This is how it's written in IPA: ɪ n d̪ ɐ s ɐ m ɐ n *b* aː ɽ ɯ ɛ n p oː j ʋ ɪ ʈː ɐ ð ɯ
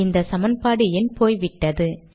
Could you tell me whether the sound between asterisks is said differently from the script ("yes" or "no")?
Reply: yes